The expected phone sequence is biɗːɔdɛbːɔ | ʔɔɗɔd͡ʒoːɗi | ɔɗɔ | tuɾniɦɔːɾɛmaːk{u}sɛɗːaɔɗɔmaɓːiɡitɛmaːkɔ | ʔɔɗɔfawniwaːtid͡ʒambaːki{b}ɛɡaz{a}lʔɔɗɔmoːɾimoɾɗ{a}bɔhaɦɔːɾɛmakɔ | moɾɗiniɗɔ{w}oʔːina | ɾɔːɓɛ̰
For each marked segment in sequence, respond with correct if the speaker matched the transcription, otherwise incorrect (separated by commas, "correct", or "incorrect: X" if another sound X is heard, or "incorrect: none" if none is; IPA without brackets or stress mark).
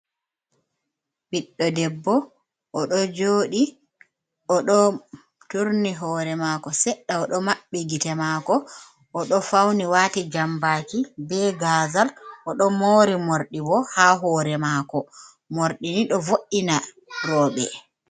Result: incorrect: ɔ, correct, correct, incorrect: i, incorrect: v